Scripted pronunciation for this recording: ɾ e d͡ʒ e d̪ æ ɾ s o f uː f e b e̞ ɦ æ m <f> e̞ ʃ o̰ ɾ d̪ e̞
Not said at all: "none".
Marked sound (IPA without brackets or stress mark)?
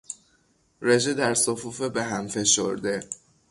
f